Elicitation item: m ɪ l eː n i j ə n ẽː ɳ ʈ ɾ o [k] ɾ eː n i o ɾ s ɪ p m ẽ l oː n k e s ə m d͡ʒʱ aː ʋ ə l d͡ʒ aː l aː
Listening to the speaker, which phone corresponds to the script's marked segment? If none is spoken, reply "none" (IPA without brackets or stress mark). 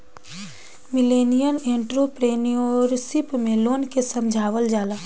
p